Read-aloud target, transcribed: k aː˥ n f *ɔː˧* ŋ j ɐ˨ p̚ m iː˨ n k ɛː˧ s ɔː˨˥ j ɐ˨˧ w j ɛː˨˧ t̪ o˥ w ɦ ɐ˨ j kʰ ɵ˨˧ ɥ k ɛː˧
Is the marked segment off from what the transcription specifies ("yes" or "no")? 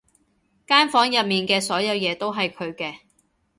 yes